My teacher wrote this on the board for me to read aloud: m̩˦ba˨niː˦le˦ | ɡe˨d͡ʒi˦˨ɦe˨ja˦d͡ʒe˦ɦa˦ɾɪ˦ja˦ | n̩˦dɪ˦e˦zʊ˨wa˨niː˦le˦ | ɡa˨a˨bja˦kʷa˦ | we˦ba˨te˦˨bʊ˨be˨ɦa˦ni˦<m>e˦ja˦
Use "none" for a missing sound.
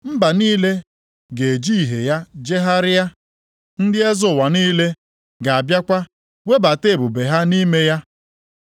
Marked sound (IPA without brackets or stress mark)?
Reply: m